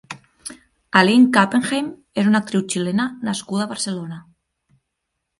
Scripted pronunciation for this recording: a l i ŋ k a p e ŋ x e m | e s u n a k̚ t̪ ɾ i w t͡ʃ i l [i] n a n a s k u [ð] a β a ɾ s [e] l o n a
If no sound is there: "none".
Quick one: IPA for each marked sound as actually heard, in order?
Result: e, ð, e

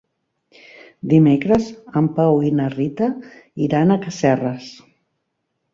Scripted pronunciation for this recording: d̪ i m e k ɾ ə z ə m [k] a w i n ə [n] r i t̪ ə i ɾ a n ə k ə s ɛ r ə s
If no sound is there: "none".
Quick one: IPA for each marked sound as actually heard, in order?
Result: p, none

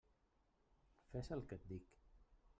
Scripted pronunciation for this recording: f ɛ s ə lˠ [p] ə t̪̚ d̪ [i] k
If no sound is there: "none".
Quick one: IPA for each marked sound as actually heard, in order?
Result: k, i

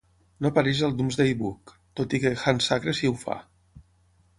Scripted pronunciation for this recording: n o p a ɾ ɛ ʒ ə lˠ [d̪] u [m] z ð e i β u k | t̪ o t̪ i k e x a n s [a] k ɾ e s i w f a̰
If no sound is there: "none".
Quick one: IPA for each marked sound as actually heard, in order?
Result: d̪, m, a

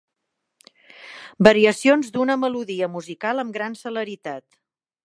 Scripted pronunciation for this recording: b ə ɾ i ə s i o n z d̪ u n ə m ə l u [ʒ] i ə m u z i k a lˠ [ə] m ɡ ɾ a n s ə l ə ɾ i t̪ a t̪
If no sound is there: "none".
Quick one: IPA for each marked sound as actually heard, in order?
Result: ð, ə

